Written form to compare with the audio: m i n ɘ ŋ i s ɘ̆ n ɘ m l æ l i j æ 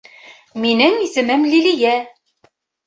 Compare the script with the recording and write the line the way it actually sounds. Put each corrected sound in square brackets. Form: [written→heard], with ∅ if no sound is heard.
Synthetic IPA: m i n ɘ ŋ i s ɘ̆ [n→m] ɘ m l [æ→i] l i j æ

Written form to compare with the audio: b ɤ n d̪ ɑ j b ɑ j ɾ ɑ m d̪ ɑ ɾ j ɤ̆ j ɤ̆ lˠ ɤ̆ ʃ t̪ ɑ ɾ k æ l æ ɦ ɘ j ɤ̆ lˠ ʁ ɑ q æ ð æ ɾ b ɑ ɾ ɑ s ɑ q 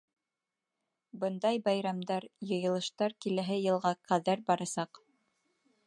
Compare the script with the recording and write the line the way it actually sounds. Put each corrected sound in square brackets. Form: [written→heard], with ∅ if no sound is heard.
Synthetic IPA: b ɤ n d̪ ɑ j b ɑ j ɾ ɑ m d̪ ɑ ɾ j ɤ̆ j ɤ̆ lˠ ɤ̆ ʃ t̪ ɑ ɾ k [æ→i] l æ ɦ ɘ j ɤ̆ lˠ ʁ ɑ q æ ð æ ɾ b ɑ ɾ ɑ s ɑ q

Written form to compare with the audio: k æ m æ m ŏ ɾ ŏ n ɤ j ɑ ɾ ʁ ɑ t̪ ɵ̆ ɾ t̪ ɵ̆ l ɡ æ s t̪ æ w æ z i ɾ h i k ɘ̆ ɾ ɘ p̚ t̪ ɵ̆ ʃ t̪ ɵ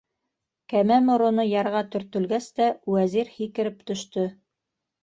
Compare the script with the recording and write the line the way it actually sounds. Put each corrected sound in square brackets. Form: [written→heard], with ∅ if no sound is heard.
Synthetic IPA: k æ m æ m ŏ ɾ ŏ n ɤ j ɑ ɾ ʁ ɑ t̪ ɵ̆ ɾ t̪ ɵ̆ l ɡ æ s t̪ æ w æ z i ɾ h i k ɘ̆ ɾ ɘ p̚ t̪ ɵ̆ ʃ t̪ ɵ

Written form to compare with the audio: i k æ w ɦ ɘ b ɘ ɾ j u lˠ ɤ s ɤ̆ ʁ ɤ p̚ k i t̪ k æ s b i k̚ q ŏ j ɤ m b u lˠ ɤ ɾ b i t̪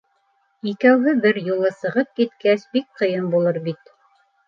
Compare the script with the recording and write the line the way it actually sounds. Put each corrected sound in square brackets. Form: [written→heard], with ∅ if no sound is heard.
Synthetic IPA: i k æ w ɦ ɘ b ɘ ɾ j u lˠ ɤ s ɤ̆ ʁ ɤ p̚ k i t̪ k æ s b i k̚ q [ŏ→ɤ̆] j ɤ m b u lˠ ɤ ɾ b i t̪

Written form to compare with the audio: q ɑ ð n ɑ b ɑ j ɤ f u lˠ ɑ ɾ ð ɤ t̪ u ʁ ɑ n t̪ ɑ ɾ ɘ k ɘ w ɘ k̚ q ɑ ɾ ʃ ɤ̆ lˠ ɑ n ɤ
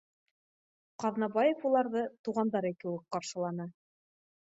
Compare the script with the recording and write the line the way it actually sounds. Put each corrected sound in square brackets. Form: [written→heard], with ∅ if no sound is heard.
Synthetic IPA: q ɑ ð n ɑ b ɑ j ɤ f u lˠ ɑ ɾ ð ɤ t̪ u ʁ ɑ n [t̪→d̪] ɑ ɾ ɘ k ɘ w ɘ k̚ q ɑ ɾ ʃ ɤ̆ lˠ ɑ n ɤ

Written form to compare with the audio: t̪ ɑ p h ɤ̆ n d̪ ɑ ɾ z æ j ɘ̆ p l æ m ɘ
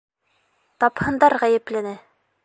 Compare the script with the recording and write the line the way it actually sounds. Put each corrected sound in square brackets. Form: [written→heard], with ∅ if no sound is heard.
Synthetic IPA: t̪ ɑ p h ɤ̆ n d̪ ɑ ɾ [z→ʁ] æ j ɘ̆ p l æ [m→n] ɘ

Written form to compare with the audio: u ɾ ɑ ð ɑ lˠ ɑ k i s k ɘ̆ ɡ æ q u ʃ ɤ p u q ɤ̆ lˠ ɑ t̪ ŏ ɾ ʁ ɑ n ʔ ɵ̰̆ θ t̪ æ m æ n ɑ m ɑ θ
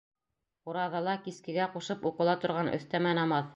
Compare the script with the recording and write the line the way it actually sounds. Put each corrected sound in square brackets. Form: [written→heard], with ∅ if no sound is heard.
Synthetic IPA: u ɾ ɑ ð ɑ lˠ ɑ k i s k ɘ̆ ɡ æ q u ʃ ɤ p u q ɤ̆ lˠ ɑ t̪ ŏ ɾ ʁ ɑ n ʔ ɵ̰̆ θ t̪ æ m æ n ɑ m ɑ θ

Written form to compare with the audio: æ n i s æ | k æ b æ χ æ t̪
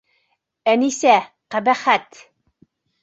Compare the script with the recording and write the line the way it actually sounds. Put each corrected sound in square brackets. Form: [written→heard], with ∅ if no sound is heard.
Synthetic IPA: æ n i s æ | [k→q] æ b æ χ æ t̪

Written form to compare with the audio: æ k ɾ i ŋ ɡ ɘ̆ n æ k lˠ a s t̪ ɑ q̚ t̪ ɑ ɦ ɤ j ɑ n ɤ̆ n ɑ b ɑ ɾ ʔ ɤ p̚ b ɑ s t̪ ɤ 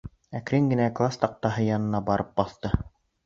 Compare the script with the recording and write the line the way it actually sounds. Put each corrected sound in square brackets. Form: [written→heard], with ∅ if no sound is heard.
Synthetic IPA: æ k ɾ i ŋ ɡ ɘ̆ n æ k lˠ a s t̪ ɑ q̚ t̪ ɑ ɦ ɤ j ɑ n ɤ̆ n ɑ b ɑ ɾ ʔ ɤ p̚ b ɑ [s→θ] t̪ ɤ

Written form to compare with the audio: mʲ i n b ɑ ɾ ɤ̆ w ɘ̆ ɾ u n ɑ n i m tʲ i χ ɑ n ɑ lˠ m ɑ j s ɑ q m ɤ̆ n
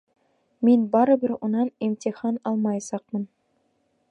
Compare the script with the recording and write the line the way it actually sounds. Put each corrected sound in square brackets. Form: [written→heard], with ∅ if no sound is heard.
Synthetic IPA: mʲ i n b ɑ ɾ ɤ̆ [w→b] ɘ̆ ɾ u n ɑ n i m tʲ i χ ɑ n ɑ lˠ m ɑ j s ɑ q m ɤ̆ n

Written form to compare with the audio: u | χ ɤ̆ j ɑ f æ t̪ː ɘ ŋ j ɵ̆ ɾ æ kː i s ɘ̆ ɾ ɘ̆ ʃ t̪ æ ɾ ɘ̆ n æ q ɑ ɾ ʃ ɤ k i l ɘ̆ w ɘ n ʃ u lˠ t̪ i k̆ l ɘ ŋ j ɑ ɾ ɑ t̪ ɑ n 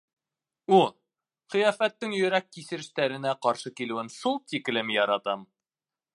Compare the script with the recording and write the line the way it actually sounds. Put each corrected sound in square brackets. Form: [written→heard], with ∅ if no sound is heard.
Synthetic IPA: u | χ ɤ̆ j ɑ f æ t̪ː ɘ ŋ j ɵ̆ ɾ æ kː i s ɘ̆ ɾ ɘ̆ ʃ t̪ æ ɾ ɘ̆ n æ q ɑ ɾ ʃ ɤ k i l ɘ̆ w ɘ n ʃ u lˠ t̪ i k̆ l ɘ [ŋ→m] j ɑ ɾ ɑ t̪ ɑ [n→m]

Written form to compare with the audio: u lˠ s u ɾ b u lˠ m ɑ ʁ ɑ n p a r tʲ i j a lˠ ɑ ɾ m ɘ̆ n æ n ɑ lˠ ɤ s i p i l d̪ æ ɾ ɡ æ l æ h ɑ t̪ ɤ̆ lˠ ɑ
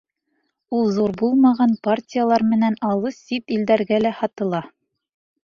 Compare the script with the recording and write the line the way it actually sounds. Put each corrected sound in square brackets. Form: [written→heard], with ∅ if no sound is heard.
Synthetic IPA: u lˠ [s→z] u ɾ b u lˠ m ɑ ʁ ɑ n p a r tʲ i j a lˠ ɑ ɾ m ɘ̆ n æ n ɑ lˠ ɤ s i p i l d̪ æ ɾ ɡ æ l æ h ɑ t̪ ɤ̆ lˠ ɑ

